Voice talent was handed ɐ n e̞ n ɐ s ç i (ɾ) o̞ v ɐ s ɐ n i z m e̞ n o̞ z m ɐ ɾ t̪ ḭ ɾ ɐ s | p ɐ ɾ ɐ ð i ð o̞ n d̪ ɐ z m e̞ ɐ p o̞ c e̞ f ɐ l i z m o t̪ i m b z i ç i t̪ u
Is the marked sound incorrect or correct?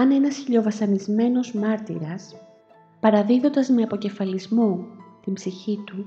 incorrect